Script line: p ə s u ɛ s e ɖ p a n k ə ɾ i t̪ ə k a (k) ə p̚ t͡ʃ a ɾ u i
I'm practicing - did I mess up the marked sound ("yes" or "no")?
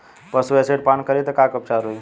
no